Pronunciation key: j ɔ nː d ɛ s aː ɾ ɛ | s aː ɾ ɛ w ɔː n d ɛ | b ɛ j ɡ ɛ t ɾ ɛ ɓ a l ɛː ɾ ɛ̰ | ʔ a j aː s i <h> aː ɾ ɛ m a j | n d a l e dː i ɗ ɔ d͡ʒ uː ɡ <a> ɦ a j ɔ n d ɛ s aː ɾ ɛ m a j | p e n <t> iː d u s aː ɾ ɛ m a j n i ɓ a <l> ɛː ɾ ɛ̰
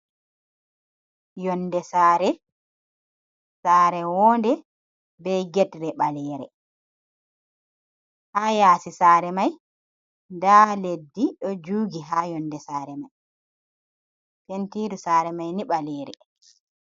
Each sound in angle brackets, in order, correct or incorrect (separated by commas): incorrect, incorrect, correct, correct